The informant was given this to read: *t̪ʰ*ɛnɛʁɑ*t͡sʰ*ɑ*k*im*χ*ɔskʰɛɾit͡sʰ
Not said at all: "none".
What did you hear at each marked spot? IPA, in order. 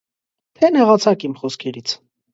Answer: t̪ʰ, t͡sʰ, k, χ

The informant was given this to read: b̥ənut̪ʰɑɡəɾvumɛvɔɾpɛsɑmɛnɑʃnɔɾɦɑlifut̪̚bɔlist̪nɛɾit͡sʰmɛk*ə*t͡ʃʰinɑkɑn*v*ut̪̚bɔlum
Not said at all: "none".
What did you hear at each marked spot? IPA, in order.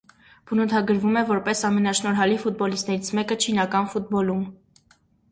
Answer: ə, f

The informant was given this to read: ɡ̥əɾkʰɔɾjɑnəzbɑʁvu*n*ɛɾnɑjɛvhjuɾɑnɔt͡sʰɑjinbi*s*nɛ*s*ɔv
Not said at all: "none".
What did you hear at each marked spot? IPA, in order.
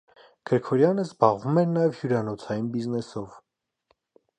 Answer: m, z, s

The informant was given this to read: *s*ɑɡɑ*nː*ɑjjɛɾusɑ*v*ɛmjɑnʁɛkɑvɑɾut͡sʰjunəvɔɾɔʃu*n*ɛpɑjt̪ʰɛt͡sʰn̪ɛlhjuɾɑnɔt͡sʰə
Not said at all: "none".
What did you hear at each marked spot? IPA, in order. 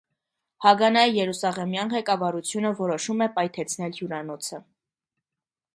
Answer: h, n, ʁ, m

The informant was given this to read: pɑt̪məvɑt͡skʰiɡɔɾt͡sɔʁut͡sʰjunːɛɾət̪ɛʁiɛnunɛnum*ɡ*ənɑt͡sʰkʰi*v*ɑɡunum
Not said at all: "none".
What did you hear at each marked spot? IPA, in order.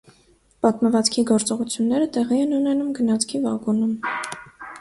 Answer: ɡ, v

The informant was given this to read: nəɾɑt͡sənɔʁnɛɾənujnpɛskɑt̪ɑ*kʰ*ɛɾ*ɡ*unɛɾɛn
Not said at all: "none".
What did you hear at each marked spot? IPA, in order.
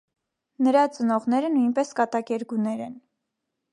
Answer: k, ɡ

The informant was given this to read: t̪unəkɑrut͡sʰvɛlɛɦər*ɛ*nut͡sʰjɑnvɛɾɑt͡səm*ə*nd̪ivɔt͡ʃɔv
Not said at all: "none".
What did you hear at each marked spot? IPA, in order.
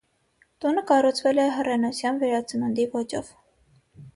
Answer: ɛ, ə

